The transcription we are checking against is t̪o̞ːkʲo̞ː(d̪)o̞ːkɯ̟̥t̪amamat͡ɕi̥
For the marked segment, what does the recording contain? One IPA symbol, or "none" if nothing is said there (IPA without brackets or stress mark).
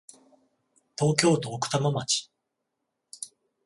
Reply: t̪